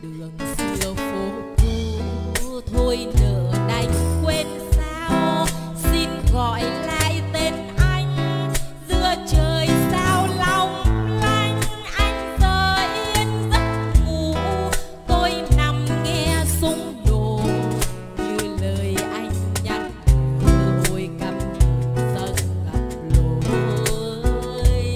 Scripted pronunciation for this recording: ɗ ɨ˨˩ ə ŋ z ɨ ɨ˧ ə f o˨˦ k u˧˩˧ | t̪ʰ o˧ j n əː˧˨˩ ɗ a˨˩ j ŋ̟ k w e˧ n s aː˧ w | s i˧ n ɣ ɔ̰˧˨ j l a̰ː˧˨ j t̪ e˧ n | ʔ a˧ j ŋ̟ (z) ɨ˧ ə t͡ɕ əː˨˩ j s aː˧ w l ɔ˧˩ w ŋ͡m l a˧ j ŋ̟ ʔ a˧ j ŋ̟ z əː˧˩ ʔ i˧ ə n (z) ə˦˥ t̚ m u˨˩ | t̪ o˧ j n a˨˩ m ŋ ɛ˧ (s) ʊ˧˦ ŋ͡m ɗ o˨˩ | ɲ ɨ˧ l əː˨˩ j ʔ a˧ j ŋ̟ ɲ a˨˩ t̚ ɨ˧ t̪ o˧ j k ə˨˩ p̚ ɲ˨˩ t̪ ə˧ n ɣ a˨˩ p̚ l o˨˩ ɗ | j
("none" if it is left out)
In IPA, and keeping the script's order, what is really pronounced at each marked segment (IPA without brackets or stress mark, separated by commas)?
z, z, s